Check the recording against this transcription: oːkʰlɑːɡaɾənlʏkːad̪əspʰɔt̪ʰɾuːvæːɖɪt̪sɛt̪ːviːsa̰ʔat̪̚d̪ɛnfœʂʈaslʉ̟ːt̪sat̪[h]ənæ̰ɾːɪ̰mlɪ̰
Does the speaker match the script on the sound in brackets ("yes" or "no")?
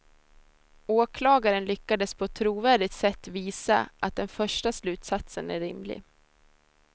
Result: no